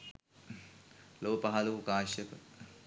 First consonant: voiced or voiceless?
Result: voiced